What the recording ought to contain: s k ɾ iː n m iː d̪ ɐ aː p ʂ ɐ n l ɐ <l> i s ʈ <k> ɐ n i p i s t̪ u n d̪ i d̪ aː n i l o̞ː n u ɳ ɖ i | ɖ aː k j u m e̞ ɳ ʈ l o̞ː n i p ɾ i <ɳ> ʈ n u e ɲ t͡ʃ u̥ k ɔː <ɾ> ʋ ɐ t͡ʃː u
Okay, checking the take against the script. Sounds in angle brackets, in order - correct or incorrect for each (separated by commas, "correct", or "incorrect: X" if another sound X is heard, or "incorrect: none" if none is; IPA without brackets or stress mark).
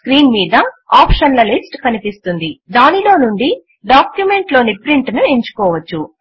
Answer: correct, correct, correct, incorrect: none